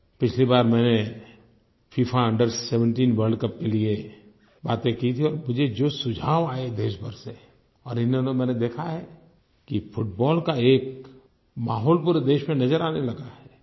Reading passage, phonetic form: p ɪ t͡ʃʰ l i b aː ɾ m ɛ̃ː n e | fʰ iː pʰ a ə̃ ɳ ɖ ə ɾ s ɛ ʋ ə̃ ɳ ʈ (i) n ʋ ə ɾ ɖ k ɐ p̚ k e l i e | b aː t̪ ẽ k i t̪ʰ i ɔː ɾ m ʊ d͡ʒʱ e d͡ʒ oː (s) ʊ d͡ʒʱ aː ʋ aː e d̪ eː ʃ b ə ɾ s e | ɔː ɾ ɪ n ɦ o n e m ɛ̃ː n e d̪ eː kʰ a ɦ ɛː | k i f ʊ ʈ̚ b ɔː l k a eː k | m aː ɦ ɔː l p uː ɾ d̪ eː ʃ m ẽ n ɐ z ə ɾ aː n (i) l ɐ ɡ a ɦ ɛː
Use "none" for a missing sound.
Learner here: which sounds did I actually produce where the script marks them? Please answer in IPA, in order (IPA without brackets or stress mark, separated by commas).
iː, s, e